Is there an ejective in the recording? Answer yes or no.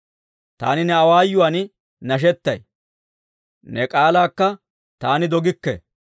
yes